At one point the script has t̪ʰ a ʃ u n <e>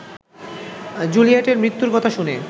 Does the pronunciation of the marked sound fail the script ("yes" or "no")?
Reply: no